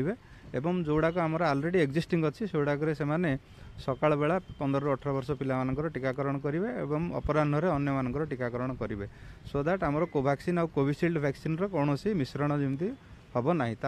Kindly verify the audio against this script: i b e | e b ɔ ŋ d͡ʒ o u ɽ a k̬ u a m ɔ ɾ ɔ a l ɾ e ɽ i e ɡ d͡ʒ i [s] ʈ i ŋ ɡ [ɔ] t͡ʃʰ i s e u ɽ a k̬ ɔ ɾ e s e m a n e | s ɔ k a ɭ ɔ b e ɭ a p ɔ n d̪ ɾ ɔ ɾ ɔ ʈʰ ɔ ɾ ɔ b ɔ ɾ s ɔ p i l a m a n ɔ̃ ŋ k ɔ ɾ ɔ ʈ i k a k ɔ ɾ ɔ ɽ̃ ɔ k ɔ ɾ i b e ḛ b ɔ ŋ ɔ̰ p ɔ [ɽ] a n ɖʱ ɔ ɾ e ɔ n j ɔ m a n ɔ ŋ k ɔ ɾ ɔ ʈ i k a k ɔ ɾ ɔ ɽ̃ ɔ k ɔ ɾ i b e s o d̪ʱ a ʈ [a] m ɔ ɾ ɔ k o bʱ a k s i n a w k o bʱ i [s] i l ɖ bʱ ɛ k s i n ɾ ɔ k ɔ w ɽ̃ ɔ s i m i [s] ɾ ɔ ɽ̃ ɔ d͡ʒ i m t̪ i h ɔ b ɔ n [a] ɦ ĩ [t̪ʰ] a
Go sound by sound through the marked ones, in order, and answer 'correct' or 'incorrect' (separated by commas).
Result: correct, correct, incorrect, correct, correct, correct, correct, incorrect